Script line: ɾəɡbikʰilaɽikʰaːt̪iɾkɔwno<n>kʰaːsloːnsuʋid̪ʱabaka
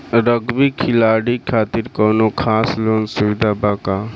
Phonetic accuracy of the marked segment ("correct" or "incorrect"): incorrect